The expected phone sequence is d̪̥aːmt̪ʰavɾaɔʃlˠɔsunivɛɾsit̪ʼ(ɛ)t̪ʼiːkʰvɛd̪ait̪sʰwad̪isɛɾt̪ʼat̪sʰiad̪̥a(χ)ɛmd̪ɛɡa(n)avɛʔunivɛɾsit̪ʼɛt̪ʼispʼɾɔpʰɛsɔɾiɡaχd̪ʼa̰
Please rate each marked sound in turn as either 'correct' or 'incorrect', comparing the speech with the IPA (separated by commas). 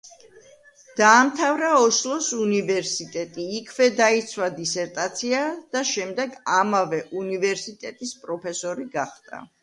correct, incorrect, incorrect